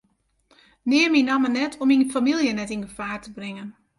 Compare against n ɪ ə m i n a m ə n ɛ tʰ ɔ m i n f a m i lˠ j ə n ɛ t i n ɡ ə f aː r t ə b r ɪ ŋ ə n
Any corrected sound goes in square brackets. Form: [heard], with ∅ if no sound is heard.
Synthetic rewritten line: n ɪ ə m i n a m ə n ɛ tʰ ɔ m i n f a m i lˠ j ə n ɛ t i n ɡ ə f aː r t ə b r ɪ ŋ ə n